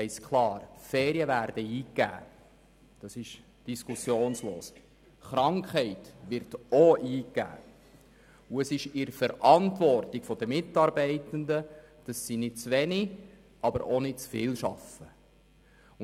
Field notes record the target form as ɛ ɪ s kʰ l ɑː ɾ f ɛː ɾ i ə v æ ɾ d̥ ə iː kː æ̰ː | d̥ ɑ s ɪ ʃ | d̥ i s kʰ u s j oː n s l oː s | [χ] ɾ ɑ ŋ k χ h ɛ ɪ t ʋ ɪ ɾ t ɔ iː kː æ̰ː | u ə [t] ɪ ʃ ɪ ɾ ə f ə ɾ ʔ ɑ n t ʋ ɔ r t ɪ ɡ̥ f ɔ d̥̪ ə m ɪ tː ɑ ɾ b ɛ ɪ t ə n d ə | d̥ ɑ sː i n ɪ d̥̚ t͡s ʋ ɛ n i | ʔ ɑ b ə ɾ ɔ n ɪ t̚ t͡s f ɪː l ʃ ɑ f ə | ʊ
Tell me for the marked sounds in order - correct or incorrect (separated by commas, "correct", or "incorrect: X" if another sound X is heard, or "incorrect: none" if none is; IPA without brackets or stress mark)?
correct, incorrect: s